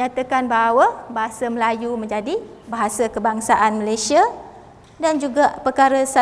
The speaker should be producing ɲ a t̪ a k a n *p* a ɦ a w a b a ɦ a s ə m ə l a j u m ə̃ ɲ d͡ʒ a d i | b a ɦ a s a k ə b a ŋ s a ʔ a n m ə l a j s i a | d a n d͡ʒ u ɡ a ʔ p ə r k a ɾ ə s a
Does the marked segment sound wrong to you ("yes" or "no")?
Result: yes